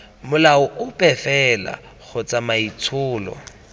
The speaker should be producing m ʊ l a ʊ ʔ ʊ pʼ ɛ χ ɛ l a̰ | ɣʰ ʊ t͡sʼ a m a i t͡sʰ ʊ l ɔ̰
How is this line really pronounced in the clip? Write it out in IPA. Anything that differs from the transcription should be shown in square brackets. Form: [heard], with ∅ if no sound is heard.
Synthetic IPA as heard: m ʊ l a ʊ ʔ ʊ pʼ ɛ [f] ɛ l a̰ | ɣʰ ʊ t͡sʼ a m a i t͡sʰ [ʊː] l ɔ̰